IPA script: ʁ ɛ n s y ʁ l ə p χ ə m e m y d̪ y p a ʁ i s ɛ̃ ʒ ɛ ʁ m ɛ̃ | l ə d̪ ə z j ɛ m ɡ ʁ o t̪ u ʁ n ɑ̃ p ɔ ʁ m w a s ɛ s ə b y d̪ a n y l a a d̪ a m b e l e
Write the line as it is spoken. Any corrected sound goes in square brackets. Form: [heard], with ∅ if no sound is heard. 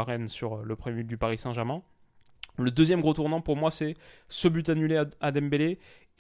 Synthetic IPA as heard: ʁ ɛ n s y ʁ l ə p χ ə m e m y d̪ y p a ʁ i s ɛ̃ ʒ ɛ ʁ m ɛ̃ | l ə d̪ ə z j ɛ m ɡ ʁ o t̪ u ʁ n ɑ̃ p [u] ʁ m w a s ɛ s ə b y [t̪] a n y l [e] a d̪ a m b e l e